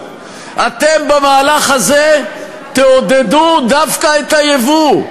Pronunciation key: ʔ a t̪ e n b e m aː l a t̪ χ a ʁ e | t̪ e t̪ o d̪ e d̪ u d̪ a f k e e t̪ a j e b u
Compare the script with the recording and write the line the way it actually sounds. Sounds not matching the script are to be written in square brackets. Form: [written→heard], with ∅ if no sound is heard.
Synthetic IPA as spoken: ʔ a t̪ e [n→m] b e m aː l a [t̪→∅] χ a [ʁ→z] e | t̪ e [t̪→∅] o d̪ e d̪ u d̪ a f k [e→a] e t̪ a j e [b→v] u

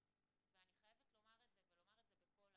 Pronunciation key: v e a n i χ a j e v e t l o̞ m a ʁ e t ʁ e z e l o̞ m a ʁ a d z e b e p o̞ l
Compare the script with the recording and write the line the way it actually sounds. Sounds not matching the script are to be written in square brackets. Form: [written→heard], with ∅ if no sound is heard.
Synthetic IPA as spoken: v e a n i χ a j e v e t l o̞ m a ʁ e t [ʁ→z] e [z→v] e l o̞ m a ʁ [a→e] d z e b e [p→k] o̞ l

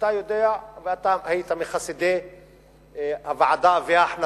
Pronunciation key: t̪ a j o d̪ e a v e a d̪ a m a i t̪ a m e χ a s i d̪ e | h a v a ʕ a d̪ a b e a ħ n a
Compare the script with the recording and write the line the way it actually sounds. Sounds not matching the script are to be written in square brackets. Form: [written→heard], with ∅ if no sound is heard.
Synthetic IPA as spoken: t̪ a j o d̪ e a v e a [d̪→t̪] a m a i t̪ a m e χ a s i d̪ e | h a v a ʕ a d̪ a [b→v] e a ħ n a

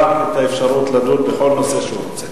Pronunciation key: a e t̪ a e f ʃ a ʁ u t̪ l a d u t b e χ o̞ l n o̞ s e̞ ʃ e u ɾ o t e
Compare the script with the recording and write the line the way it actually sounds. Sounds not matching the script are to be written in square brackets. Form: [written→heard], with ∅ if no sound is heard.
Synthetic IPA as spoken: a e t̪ a e f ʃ a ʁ u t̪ l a d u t b e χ o̞ l n o̞ s e̞ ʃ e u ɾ o [t→t͡s] e

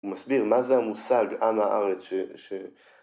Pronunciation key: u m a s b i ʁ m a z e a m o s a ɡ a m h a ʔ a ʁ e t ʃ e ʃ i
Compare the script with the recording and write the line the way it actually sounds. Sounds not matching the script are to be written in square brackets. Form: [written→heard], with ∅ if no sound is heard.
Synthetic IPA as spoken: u m a s b i ʁ m a z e a m [o→u] s a ɡ a m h a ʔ a ʁ e [t→t͡s] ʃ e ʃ [i→e]

